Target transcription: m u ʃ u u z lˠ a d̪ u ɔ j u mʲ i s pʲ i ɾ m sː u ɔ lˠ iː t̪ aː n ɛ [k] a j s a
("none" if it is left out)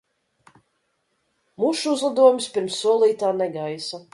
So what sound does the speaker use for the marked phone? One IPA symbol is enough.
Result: ɡ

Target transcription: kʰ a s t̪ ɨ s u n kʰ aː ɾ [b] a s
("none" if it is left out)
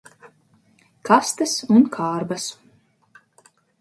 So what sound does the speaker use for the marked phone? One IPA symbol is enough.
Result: b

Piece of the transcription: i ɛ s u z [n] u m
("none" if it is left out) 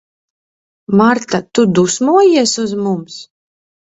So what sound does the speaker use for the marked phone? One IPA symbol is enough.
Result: m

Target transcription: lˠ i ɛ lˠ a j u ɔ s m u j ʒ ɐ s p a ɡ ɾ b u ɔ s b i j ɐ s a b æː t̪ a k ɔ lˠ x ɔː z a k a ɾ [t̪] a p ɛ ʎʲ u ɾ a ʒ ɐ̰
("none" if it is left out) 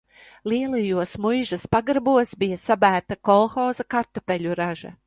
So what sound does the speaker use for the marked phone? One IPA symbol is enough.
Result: t̪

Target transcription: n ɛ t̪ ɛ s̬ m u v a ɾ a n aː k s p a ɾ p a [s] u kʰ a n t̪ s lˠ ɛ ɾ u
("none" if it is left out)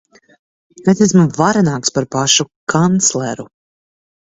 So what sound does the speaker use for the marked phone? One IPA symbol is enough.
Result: ʃ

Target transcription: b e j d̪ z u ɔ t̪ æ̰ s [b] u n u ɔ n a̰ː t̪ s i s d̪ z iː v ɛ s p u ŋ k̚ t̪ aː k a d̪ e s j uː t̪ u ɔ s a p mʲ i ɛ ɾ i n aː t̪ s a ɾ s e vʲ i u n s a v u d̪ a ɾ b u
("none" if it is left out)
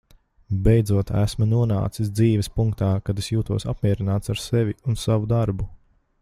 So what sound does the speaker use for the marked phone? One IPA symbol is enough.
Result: m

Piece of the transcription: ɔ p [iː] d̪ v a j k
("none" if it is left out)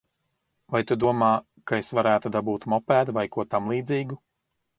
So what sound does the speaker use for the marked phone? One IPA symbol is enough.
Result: æː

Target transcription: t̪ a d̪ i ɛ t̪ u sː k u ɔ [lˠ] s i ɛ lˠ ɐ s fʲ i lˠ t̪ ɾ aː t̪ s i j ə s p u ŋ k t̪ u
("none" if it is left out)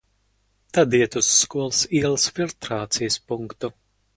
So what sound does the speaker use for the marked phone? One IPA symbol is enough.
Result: lˠ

